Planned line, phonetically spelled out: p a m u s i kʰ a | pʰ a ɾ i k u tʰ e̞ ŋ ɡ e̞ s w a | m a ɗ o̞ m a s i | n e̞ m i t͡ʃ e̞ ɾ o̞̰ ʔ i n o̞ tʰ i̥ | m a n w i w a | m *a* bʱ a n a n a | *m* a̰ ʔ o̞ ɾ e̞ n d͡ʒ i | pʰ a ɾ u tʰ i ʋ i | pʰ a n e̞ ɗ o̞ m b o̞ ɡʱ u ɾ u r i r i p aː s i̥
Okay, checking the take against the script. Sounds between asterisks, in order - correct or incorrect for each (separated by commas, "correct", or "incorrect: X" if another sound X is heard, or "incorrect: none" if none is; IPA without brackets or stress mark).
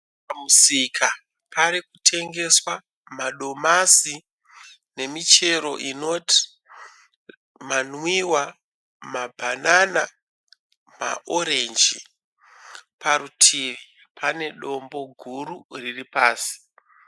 correct, correct